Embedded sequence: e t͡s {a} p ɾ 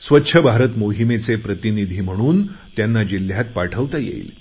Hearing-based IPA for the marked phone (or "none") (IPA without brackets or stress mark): e